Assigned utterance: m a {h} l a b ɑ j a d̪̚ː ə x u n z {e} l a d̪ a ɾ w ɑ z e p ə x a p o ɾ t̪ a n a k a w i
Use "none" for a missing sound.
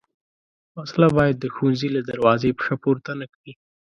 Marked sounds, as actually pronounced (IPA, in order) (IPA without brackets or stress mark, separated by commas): s, i